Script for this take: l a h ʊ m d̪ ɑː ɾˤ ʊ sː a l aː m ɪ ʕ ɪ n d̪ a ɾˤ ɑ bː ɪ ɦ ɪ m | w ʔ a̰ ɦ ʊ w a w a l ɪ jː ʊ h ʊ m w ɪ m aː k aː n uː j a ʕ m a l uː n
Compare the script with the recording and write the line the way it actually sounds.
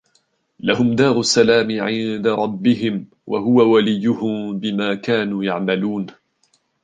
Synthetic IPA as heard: l a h ʊ m d̪ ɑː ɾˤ ʊ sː a l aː m ɪ ʕ ɪ n d̪ a ɾˤ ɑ bː ɪ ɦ ɪ m | w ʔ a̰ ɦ ʊ w a w a l ɪ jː ʊ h ʊ m b ɪ m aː k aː n uː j a ʕ m a l uː n